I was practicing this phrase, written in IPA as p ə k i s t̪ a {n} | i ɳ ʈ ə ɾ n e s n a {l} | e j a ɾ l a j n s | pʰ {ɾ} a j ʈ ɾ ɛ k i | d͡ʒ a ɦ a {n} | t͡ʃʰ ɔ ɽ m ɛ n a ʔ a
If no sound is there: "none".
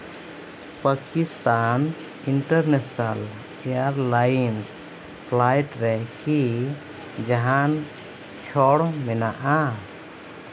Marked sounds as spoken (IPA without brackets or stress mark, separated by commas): n, l, l, n